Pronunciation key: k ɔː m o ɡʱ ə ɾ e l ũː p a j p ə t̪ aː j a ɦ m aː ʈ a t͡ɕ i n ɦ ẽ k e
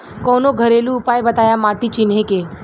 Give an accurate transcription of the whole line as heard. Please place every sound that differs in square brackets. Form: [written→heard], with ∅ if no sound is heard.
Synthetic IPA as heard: k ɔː [m→n] o ɡʱ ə ɾ e l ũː p a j [p→b] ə t̪ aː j a [ɦ→∅] m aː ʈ [a→i] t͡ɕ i n ɦ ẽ k e